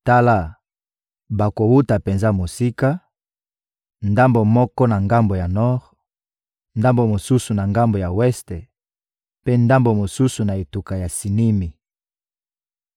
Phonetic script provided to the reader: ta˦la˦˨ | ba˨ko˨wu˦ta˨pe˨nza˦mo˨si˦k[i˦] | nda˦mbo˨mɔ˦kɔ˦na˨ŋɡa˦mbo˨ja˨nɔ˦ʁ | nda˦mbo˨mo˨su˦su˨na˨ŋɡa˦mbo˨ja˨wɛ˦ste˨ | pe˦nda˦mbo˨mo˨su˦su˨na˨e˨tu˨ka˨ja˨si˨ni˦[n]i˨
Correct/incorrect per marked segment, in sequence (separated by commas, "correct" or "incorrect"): incorrect, incorrect